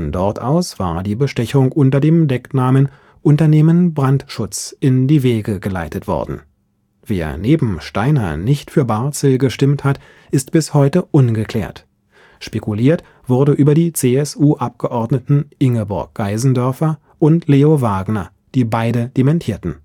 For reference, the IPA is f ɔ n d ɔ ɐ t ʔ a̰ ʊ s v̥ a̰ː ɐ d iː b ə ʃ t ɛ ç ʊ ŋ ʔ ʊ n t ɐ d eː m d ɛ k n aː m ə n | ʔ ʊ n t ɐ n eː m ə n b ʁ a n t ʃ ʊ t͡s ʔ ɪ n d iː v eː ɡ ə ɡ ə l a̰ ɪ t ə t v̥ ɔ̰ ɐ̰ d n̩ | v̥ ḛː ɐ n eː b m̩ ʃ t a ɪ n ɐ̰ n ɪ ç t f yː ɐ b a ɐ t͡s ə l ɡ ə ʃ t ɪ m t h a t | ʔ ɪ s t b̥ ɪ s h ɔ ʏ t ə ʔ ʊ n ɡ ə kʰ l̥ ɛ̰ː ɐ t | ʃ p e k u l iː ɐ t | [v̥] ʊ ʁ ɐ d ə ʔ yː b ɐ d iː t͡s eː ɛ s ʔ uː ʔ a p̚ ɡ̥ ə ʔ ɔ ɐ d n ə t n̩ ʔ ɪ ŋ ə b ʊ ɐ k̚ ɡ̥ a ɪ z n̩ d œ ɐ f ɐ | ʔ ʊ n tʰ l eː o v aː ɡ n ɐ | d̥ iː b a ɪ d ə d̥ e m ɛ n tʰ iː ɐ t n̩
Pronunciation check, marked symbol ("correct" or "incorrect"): correct